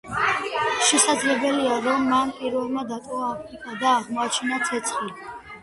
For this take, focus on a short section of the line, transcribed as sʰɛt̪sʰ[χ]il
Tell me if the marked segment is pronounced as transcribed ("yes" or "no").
yes